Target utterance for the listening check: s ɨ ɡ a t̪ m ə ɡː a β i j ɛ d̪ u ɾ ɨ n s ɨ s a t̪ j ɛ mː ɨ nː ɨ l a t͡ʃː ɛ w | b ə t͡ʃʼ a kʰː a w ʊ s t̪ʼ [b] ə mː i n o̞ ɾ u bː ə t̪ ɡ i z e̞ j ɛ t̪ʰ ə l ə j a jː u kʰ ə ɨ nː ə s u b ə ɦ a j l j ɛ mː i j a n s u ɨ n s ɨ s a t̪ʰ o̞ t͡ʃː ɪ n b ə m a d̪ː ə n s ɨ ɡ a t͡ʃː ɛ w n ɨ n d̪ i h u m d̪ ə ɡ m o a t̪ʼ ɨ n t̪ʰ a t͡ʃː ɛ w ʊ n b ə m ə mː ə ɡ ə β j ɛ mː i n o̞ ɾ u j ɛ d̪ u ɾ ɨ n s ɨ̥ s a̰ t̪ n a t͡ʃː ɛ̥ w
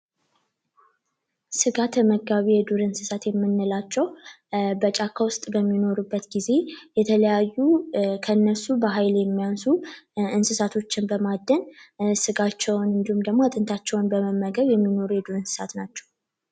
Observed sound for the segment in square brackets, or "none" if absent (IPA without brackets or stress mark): b